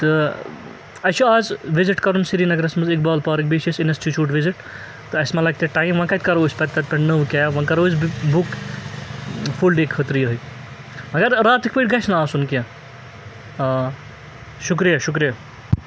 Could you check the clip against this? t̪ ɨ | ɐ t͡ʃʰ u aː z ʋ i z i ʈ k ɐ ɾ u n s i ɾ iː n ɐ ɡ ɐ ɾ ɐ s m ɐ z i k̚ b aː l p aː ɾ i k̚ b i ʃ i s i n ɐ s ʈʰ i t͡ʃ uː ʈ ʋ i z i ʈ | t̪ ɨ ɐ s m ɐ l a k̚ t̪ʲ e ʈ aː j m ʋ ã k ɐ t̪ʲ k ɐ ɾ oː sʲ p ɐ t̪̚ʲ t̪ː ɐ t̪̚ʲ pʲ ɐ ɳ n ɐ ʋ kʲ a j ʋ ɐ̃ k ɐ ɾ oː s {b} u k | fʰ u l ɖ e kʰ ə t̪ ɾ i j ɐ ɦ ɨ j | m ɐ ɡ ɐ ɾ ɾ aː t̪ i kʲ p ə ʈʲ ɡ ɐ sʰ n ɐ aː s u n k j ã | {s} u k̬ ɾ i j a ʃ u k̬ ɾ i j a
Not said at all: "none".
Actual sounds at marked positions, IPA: b, ʃ

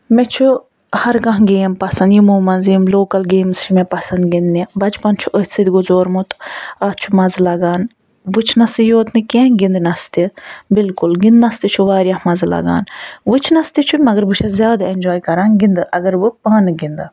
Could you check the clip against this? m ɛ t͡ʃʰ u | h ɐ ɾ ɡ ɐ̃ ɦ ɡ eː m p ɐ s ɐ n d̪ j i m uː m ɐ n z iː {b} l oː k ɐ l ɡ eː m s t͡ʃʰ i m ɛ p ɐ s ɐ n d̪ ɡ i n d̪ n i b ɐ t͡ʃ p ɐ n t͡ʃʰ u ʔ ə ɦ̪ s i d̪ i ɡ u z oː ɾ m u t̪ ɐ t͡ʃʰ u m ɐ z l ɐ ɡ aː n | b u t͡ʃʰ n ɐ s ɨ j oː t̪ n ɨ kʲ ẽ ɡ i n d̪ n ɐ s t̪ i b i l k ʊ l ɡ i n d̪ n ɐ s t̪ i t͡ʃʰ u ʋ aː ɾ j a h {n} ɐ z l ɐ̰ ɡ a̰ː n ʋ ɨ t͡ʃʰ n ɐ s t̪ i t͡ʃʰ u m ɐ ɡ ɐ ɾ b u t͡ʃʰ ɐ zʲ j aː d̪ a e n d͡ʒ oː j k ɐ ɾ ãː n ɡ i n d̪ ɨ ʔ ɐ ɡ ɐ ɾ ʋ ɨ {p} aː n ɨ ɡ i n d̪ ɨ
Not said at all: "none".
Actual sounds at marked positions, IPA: m, m, p

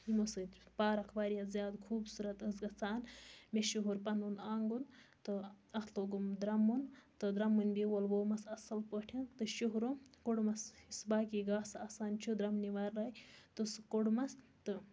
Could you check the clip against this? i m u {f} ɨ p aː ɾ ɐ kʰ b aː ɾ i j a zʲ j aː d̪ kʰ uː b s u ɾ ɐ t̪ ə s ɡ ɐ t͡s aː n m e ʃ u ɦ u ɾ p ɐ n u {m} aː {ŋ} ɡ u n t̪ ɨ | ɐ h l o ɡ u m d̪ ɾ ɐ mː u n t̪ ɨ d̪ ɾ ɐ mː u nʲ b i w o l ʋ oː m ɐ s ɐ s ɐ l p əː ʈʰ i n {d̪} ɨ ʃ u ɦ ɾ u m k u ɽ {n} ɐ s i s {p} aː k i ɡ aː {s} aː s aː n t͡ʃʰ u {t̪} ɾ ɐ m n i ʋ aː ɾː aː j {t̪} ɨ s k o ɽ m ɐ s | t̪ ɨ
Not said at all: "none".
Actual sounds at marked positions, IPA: s, n, ŋ, t̪, m, b, s, d̪, t̪

